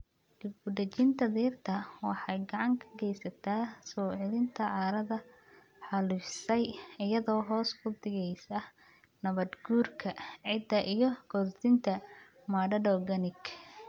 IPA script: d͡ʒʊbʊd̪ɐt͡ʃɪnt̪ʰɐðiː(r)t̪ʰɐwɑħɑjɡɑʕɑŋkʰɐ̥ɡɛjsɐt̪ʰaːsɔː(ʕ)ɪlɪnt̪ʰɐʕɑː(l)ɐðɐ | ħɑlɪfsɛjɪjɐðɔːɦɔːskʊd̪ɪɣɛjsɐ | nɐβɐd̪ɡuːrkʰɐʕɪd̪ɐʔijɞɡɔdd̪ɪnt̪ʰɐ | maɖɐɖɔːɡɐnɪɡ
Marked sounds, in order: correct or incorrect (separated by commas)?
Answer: correct, correct, incorrect